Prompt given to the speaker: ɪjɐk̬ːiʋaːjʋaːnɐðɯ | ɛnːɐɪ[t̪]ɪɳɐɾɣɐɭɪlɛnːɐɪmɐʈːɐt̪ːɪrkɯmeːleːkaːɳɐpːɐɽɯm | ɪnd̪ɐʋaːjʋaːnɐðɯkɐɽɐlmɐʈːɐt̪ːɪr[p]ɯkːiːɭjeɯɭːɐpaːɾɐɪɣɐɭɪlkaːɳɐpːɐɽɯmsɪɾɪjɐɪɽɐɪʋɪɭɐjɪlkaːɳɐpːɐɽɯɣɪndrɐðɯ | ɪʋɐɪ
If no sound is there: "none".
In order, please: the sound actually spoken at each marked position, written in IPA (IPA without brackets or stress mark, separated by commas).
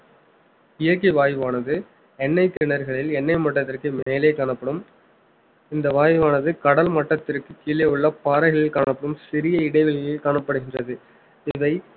t̪, k